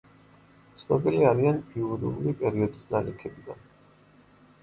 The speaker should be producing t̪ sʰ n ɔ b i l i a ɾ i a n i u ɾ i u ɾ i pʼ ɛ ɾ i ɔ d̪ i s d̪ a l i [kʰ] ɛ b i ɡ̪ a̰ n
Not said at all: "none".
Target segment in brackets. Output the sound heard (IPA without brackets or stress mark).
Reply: kʰ